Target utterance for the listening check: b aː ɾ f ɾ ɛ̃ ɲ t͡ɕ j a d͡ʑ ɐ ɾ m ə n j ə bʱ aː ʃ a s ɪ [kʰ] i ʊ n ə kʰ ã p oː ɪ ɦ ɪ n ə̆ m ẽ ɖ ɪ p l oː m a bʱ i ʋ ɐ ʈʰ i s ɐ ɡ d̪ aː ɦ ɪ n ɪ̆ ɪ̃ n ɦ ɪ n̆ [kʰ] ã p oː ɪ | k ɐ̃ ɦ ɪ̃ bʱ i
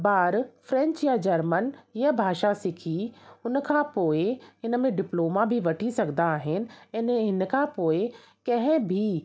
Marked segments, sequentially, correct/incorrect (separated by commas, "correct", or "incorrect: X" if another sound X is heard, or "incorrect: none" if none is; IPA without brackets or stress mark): correct, correct